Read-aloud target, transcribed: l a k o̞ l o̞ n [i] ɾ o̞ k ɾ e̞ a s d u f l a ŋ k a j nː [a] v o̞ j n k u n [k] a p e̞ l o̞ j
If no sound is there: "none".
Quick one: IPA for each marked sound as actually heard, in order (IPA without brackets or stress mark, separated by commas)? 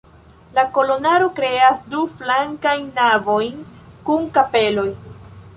a, a, k